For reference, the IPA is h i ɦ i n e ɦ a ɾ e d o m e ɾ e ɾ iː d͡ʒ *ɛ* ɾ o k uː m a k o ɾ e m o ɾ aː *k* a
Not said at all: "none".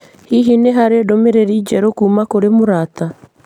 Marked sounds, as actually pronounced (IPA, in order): ɛ, t

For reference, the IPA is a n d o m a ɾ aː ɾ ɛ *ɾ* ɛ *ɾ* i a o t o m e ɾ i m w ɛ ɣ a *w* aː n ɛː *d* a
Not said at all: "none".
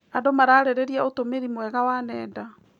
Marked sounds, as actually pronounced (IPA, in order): ɾ, ɾ, w, d

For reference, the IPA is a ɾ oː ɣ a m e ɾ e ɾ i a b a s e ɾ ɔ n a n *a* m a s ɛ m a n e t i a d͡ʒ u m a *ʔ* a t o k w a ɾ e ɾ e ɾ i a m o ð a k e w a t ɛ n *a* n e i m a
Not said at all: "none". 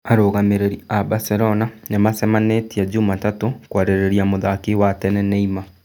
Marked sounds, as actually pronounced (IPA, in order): e, t, ɛ

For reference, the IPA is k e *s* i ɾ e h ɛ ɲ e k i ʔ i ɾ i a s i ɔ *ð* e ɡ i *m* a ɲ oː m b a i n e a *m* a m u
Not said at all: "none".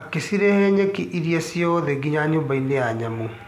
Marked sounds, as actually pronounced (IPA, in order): s, ð, ɲ, ɲ

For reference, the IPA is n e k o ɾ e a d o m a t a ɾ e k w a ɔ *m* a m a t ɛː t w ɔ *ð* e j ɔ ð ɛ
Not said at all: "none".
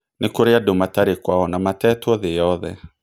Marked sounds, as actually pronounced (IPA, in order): n, ð

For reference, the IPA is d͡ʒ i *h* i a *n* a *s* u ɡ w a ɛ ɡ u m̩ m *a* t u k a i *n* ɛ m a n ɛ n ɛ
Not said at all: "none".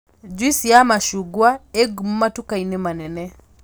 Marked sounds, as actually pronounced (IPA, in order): s, m, ʃ, a, n

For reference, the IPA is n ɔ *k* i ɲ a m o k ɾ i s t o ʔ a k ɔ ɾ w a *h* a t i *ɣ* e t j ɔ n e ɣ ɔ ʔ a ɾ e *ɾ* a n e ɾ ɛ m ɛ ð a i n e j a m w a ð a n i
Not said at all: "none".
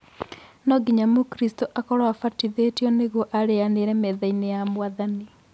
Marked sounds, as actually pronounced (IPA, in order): ɡ, f, ð, none

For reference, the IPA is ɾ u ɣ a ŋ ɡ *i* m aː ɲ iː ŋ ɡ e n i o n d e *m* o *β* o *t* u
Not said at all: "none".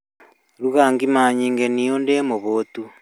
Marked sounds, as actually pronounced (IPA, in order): i, m, β, t

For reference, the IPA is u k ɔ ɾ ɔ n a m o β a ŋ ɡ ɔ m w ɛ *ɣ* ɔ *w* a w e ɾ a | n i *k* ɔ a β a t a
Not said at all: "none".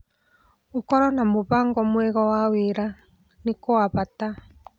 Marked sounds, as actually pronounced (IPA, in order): ɣ, w, k

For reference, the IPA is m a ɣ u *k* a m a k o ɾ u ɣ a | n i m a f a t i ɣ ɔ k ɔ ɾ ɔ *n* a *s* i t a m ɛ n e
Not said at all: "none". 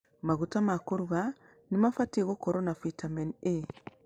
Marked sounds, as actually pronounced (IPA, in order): t, n, f

